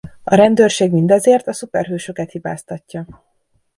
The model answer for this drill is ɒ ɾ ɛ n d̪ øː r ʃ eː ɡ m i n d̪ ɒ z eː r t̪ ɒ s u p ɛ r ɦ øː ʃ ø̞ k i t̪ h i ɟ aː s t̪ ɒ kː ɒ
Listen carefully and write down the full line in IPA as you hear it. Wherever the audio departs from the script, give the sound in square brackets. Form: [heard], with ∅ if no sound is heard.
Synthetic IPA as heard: ɒ ɾ ɛ n d̪ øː r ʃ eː ɡ m i n d̪ ɒ z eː r t̪ ɒ s u p ɛ r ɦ øː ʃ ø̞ k [ɛ] t̪ h i [b] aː s t̪ ɒ [cː] ɒ